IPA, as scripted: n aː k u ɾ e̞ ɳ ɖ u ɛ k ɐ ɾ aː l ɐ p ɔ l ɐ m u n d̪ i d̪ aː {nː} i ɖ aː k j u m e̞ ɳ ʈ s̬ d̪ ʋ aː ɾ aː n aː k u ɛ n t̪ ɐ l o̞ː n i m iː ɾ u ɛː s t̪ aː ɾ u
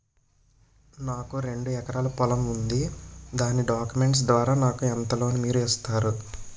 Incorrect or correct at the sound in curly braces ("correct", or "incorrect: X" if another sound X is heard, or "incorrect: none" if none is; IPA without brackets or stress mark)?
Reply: incorrect: n